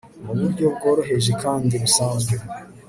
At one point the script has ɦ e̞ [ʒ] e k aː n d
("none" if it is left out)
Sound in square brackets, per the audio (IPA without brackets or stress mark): ʒ